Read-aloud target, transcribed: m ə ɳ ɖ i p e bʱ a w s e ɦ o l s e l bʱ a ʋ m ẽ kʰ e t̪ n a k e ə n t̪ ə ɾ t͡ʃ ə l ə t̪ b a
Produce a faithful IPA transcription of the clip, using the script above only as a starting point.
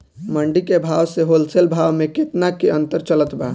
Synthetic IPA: m ə ɳ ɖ i k e bʱ a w s e ɦ o l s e l bʱ a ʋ m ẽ k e t̪ n a k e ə n t̪ ə ɾ t͡ʃ ə l ə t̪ b a